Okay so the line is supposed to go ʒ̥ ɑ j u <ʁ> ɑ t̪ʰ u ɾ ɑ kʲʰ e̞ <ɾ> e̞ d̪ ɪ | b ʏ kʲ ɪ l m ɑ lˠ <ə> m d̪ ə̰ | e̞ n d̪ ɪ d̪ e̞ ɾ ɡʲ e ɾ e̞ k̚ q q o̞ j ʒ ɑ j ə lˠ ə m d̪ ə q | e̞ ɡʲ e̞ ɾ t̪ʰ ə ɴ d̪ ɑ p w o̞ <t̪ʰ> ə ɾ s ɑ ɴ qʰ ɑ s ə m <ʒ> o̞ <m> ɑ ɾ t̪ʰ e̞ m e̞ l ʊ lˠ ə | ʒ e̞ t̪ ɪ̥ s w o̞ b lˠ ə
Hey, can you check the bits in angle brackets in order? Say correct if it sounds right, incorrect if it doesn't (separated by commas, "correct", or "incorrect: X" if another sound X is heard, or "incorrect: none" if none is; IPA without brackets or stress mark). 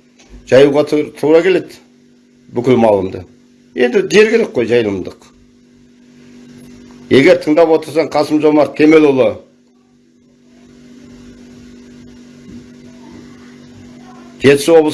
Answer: correct, incorrect: l, correct, incorrect: t̪, correct, correct